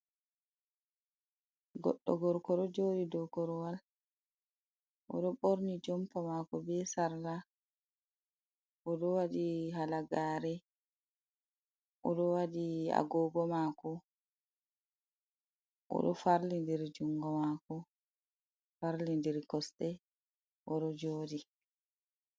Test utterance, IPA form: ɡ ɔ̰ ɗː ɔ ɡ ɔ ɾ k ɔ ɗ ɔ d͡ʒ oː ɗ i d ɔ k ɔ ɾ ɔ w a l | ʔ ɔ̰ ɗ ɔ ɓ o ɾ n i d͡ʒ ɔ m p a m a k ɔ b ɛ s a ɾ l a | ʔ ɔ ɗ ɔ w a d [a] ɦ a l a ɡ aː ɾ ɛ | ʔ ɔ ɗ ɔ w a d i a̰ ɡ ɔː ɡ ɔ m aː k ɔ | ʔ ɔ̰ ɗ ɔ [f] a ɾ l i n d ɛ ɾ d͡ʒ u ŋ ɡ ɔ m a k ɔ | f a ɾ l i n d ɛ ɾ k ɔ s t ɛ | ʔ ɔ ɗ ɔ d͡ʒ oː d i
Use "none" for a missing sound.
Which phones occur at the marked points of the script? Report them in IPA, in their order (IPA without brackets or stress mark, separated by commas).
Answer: i, f